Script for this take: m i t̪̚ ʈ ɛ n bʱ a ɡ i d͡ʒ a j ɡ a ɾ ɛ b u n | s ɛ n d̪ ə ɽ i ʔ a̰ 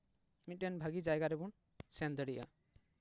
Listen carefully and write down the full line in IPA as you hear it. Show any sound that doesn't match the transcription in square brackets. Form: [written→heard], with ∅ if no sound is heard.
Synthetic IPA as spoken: m i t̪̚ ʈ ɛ n bʱ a ɡ i d͡ʒ a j ɡ a ɾ ɛ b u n | s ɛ n d̪ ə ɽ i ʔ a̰